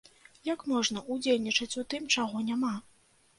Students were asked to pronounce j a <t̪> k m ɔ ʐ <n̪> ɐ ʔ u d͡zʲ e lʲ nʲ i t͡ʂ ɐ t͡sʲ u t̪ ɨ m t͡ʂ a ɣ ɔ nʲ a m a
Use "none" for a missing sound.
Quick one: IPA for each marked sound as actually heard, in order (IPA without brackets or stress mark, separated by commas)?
none, n̪